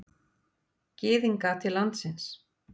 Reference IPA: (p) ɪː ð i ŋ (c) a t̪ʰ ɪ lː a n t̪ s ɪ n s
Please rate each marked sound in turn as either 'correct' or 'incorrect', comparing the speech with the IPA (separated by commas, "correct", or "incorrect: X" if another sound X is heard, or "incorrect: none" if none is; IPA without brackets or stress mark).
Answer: incorrect: c, incorrect: k